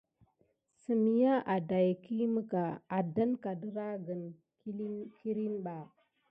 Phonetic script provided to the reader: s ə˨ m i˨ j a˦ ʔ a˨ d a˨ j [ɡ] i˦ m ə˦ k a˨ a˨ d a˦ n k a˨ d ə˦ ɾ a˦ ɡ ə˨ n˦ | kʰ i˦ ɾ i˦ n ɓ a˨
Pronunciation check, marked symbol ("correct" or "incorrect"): incorrect